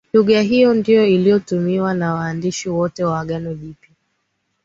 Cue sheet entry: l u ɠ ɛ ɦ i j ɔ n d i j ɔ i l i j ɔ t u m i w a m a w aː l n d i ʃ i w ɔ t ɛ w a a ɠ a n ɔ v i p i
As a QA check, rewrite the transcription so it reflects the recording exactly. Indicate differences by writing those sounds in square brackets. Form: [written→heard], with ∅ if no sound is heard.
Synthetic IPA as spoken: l u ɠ [ɛ→a] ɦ i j ɔ n d i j ɔ i l i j ɔ t u m i w a [m→n] a w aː [l→∅] n d i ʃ i w ɔ t ɛ w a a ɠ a n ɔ v i p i